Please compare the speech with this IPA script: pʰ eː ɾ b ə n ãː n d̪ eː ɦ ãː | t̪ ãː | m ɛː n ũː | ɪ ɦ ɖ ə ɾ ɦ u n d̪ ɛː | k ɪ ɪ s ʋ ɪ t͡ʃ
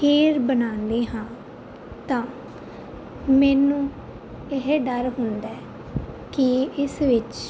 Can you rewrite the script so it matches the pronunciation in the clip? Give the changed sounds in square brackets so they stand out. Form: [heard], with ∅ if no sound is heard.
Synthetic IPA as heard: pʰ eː ɾ b ə n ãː n d̪ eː ɦ ãː | t̪ ãː | m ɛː n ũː | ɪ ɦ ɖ ə ɾ ɦ [ʊ] n d̪ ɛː | k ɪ ɪ s ʋ ɪ t͡ʃ